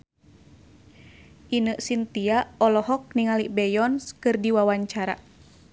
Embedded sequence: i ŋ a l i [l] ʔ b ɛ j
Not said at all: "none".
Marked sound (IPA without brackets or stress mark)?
none